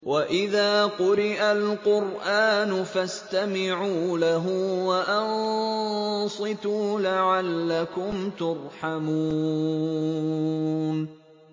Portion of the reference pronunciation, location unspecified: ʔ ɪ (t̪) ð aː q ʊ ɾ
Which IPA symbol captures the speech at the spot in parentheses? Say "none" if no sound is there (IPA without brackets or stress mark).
none